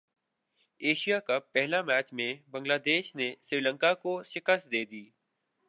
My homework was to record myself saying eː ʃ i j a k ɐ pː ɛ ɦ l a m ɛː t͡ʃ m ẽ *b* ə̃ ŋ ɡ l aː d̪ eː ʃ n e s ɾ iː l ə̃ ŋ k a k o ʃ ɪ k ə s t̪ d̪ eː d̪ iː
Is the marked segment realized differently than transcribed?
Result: no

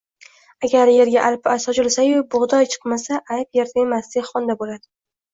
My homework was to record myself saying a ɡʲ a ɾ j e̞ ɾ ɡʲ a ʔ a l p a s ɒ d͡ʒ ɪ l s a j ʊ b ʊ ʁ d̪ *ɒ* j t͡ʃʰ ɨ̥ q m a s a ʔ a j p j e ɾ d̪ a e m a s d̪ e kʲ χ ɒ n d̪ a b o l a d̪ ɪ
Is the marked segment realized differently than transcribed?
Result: no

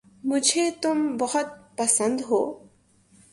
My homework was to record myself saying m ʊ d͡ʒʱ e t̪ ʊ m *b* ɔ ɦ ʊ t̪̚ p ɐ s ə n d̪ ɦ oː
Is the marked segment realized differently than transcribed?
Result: no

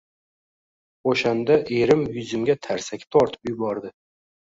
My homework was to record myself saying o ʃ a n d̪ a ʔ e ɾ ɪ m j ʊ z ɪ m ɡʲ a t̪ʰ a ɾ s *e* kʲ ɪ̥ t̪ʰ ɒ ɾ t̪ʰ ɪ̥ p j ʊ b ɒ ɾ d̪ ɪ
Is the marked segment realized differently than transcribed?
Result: yes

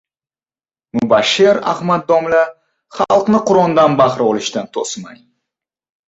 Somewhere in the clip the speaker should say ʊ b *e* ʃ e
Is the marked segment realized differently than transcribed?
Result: yes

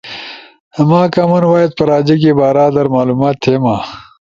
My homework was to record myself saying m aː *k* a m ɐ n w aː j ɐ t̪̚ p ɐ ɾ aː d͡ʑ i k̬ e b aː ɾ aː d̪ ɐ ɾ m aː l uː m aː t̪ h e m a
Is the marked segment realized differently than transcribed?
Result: no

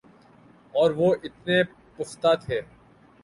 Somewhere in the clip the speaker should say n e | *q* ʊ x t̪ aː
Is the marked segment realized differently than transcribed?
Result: yes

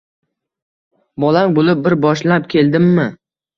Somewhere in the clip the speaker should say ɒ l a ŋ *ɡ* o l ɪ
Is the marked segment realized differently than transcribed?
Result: yes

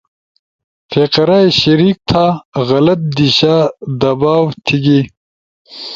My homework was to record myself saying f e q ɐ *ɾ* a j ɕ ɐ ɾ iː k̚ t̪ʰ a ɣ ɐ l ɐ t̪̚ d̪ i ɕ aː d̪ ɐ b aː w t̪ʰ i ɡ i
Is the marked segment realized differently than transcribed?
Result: no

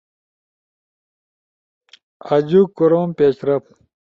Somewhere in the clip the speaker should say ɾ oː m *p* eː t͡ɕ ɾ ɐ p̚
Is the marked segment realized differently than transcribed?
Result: no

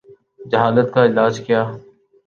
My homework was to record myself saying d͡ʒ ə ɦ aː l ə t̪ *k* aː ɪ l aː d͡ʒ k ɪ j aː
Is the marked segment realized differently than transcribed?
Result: no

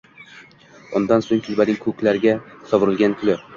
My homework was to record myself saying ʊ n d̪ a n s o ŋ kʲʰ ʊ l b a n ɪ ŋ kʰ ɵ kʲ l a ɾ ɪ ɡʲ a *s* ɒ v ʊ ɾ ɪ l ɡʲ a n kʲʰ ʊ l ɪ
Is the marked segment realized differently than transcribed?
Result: no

